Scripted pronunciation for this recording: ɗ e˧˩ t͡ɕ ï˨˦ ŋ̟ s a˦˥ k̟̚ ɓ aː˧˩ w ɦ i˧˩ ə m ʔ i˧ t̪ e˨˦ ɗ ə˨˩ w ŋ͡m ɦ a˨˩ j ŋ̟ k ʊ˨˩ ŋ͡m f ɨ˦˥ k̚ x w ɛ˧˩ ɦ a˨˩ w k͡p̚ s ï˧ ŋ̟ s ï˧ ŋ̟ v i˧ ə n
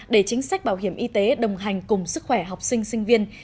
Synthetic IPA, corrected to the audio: ɗ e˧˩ t͡ɕ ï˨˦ ŋ̟ s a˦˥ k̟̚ ɓ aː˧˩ w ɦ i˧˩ ə m ʔ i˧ t̪ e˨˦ ɗ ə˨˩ w ŋ͡m ɦ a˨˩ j ŋ̟ k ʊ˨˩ ŋ͡m s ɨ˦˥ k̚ x w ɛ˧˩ ɦ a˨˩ w k͡p̚ s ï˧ ŋ̟ s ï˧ ŋ̟ v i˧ ə n